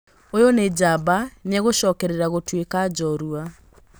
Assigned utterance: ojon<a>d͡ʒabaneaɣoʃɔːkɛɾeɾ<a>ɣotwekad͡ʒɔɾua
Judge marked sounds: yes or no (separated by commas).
no, yes